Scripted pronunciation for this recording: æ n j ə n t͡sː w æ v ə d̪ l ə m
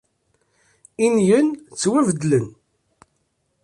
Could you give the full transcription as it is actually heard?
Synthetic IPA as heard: i n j ə n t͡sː w æ v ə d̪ l ə n